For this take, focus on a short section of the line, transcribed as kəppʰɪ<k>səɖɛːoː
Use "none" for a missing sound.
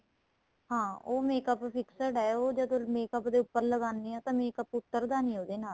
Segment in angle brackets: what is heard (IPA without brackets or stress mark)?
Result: k